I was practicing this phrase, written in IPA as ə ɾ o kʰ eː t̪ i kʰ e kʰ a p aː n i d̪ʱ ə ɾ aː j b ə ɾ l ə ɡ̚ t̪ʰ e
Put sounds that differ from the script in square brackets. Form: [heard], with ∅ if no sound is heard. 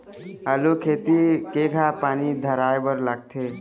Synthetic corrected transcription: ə [l] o kʰ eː t̪ i [k] e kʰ a p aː n i d̪ʱ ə ɾ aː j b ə ɾ l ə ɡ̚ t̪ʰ e